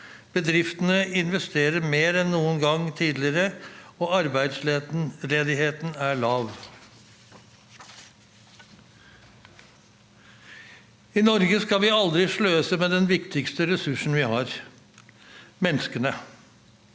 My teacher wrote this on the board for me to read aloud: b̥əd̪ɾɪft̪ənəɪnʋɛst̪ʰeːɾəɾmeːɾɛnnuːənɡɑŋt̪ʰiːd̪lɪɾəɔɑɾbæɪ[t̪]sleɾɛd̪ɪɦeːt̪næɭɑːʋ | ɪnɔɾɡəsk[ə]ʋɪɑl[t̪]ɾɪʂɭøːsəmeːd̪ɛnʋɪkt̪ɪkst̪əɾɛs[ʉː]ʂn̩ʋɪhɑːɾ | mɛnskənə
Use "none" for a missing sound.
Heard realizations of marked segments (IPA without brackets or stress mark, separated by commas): d̪, ɑ, d̪, ʉ